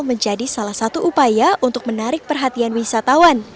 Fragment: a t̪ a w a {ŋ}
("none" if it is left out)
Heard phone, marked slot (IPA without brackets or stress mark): n